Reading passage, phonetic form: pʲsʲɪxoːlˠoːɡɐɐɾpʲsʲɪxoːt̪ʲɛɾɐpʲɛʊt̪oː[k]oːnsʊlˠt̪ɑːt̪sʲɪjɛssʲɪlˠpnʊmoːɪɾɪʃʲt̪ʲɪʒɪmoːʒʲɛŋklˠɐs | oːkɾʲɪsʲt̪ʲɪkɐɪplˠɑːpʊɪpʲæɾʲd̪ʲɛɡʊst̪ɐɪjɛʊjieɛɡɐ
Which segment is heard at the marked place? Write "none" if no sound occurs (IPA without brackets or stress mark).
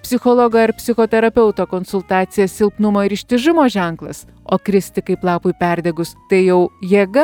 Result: k